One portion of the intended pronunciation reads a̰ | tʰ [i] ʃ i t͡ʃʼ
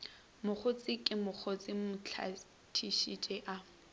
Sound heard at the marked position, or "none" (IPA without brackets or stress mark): i